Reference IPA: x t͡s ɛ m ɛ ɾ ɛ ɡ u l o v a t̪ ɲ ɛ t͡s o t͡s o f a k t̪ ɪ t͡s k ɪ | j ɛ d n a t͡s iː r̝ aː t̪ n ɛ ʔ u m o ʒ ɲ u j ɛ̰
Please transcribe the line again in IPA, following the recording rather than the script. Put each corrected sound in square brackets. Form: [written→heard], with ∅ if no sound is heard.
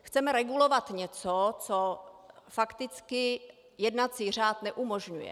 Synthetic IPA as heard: x t͡s ɛ m ɛ ɾ ɛ ɡ u l o v a t̪ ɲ ɛ t͡s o t͡s o f a k t̪ ɪ t͡s k ɪ | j ɛ d n a t͡s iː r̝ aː t̪ n ɛ ʔ u m o ʒ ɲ u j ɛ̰